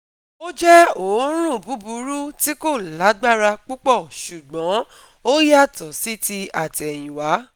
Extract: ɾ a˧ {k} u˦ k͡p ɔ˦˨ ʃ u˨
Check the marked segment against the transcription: incorrect: k͡p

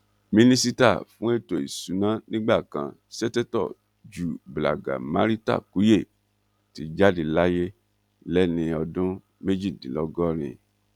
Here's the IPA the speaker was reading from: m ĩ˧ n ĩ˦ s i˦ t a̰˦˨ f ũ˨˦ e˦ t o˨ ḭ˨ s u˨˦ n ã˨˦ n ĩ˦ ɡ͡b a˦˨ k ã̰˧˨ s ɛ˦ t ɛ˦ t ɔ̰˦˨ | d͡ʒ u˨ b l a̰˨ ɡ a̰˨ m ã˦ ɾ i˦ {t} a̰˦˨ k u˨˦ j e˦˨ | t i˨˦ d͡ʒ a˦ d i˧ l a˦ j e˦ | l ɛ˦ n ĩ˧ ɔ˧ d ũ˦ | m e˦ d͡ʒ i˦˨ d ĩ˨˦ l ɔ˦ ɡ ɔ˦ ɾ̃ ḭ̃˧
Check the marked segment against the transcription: correct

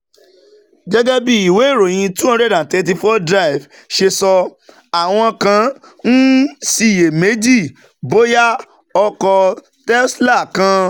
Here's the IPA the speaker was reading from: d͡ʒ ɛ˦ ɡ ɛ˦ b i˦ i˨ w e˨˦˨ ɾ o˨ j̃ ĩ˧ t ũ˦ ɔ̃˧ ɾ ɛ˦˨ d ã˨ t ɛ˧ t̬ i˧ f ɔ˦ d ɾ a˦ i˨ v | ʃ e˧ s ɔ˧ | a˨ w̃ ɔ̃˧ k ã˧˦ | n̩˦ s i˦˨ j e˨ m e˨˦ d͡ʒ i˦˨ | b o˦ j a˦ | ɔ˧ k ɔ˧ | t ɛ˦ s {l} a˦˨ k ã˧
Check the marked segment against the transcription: correct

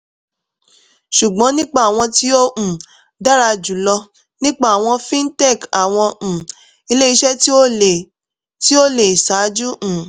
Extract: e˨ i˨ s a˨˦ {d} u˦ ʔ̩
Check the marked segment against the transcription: incorrect: d͡ʒ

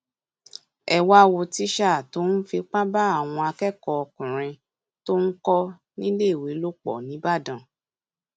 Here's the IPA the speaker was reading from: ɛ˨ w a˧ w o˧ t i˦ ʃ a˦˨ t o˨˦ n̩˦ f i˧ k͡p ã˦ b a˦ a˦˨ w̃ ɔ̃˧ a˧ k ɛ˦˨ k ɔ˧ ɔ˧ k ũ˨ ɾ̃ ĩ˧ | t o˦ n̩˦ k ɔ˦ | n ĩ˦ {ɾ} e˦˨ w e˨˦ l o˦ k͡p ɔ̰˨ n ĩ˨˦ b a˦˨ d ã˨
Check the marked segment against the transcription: incorrect: l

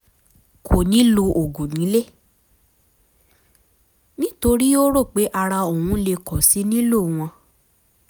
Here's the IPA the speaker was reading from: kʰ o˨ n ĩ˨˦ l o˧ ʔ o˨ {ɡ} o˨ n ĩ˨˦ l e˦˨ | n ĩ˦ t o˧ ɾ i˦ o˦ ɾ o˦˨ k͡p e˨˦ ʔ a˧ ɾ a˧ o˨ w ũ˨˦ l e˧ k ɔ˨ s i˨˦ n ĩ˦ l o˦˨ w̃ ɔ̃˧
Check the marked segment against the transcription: correct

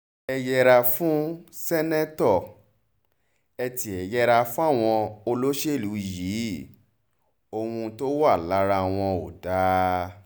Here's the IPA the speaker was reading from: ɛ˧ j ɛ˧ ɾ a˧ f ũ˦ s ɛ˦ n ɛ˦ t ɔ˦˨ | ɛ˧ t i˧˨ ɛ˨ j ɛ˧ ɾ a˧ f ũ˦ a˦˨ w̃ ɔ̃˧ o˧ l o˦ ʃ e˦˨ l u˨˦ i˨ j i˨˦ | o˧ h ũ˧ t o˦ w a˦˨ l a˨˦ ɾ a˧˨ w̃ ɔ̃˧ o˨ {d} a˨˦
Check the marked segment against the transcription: correct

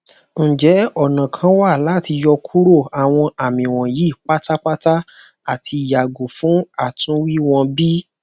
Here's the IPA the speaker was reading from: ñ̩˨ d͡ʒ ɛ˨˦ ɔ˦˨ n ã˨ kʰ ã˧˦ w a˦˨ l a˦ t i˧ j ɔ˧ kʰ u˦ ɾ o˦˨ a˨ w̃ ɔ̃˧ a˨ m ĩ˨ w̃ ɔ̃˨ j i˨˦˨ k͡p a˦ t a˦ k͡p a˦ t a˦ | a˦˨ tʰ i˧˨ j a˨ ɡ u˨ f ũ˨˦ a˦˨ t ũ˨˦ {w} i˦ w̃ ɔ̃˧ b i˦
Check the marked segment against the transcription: correct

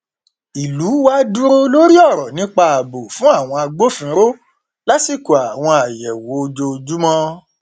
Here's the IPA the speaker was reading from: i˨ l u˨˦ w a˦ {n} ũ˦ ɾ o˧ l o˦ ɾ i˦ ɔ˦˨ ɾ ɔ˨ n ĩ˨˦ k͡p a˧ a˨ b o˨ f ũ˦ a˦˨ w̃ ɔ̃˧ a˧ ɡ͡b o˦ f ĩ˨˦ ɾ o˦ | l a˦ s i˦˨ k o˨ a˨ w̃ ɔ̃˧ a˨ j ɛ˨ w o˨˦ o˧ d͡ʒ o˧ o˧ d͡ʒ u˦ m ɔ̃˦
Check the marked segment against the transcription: incorrect: d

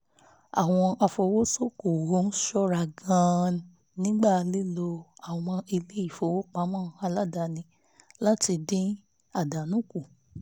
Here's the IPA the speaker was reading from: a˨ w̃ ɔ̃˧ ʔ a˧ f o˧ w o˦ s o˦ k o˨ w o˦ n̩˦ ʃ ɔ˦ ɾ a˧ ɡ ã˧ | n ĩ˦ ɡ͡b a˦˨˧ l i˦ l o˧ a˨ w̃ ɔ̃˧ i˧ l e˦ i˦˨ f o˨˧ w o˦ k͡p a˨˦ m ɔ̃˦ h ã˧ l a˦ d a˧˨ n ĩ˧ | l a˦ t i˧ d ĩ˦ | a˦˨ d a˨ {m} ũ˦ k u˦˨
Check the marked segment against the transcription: incorrect: n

